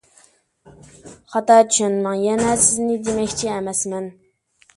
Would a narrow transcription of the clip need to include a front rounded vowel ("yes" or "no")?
yes